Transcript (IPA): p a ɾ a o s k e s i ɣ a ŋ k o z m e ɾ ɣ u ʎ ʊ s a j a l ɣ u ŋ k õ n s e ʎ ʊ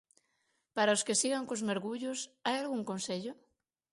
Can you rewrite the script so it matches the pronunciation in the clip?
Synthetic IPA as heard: p a ɾ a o s k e s i ɣ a ŋ k o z m e ɾ ɣ u ʎ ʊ s a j a l ɣ u ŋ k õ n s e ʎ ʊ